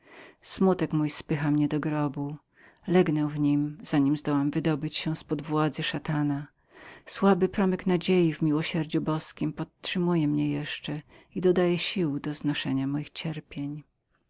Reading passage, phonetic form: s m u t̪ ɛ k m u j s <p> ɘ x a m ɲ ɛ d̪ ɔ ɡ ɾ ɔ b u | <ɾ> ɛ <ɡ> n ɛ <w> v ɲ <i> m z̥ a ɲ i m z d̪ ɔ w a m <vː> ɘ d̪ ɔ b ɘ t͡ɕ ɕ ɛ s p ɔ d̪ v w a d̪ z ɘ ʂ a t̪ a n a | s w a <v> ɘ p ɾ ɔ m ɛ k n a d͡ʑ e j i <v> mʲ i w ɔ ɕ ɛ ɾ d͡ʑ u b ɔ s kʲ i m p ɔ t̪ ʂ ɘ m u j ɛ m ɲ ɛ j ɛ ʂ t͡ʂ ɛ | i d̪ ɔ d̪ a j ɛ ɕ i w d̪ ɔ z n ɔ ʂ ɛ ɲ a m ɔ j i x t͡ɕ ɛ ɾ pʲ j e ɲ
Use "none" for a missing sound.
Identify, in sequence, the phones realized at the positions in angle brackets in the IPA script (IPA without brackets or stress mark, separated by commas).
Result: p, l, ɡ, w, i, v, b, v